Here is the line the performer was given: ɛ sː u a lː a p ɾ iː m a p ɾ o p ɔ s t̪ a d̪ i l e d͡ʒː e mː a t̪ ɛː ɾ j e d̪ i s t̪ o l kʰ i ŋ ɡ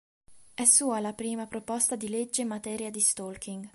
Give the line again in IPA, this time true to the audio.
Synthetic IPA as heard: ɛ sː uː a l a p ɾ iː m a p ɾ o p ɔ s t̪ a d̪ i l e d͡ʒː e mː a t̪ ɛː ɾ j a d̪ i s t̪ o l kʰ i ŋ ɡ